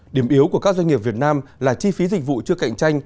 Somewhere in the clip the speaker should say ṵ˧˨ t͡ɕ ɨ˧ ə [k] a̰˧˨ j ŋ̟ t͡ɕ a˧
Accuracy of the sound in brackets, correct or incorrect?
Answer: correct